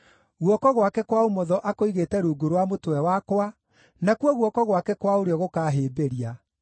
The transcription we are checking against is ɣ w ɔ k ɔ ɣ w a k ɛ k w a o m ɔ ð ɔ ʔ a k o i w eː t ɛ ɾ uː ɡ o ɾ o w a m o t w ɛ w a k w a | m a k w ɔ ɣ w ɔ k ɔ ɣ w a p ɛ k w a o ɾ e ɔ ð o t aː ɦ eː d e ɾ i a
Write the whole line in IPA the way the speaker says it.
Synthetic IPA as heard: ɣ w ɔ k ɔ ɣ w a k ɛ k w a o m ɔ ð ɔ ʔ a k o i ɣ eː t ɛ ɾ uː ɡ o ɾ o w a m o t w ɛ w a k w a | n a k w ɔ ɣ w ɔ k ɔ ɣ w a k ɛ k w a o ɾ e ɔ ɣ o k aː ɦ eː b e ɾ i a